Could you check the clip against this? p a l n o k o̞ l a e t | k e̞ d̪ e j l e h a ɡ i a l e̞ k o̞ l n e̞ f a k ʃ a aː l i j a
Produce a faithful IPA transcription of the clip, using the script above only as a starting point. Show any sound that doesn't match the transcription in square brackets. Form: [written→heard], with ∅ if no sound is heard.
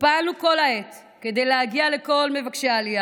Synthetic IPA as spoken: p a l n [o→u] k o̞ l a e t | k e̞ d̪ e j l e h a ɡ i a l e̞ k o̞ l [n→m] e̞ [f→v] a k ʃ [a→e] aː l i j a